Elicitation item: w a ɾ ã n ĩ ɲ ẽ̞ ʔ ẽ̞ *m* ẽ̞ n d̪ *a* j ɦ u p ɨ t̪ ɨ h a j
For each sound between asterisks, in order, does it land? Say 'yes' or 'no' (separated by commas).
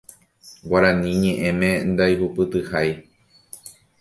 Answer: yes, yes